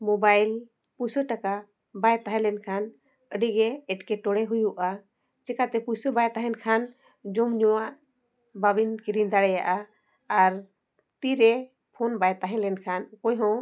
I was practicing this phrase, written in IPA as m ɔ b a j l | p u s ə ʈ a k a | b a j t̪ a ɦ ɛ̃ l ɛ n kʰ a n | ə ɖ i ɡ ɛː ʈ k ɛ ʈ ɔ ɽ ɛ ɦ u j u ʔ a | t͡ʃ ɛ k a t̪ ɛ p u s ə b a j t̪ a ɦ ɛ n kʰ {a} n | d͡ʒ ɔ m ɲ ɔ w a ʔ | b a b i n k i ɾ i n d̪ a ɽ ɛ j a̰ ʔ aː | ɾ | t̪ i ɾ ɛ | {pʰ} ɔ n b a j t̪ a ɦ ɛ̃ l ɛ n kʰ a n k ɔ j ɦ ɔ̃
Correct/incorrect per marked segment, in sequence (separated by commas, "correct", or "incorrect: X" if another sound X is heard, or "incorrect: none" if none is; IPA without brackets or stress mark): correct, correct